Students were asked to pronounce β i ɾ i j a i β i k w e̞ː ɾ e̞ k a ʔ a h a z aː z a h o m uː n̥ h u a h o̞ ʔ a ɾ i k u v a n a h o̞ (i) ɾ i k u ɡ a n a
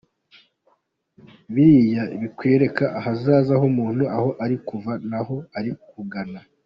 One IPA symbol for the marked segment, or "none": a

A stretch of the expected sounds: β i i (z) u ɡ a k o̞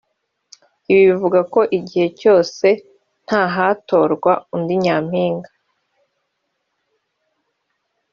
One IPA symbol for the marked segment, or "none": v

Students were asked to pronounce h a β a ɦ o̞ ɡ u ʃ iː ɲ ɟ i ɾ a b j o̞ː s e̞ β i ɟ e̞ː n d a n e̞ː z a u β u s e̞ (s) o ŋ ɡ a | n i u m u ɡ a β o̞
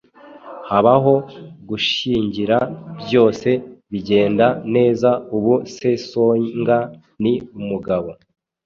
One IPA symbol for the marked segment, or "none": s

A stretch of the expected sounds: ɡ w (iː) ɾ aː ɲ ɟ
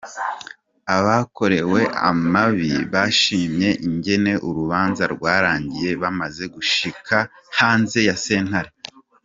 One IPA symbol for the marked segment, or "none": aː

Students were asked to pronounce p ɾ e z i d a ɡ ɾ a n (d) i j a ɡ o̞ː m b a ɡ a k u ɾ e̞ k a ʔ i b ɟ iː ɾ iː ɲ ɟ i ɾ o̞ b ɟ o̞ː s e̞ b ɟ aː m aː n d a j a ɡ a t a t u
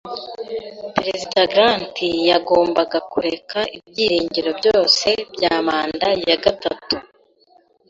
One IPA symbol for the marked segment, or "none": t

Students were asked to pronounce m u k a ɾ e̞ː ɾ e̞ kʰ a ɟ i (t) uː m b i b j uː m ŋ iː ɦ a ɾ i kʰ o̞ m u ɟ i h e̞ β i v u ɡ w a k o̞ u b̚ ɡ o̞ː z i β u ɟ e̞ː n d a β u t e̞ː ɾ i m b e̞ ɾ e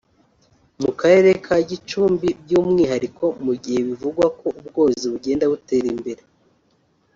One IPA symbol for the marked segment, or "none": t͡ʃ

